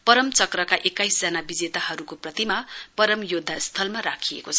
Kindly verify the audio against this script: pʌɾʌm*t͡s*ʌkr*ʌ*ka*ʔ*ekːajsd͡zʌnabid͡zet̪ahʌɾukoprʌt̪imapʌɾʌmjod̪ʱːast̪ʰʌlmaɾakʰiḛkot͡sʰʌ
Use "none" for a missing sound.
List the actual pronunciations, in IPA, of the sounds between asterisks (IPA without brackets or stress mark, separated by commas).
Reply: t͡s, ʌ, ʔ